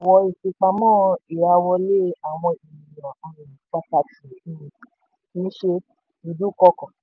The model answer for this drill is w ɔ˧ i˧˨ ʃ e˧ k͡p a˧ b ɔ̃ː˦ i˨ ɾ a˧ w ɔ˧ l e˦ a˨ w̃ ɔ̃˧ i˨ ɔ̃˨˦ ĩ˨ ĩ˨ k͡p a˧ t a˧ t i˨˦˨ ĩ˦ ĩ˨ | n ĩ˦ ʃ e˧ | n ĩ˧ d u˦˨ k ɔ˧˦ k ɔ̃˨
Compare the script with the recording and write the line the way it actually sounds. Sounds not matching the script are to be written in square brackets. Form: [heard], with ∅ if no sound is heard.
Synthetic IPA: w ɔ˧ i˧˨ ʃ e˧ k͡p a˧ [m] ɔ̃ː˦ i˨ ɾ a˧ w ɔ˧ l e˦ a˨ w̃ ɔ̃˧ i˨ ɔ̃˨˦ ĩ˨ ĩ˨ k͡p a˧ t a˧ t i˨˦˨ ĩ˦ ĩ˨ | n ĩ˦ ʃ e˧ | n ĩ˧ d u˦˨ k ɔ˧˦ k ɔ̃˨